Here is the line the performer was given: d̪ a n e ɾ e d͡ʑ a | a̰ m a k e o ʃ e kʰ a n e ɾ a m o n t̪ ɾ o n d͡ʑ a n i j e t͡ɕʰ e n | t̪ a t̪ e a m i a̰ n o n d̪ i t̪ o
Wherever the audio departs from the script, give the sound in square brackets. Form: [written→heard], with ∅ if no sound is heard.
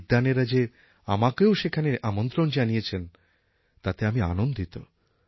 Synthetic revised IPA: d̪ a n e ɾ [e→a] d͡ʑ [a→e] | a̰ m a k e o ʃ e kʰ a n e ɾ a m o n t̪ ɾ o n d͡ʑ a n i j e t͡ɕʰ e n | t̪ a t̪ e a m i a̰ n o n d̪ i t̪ o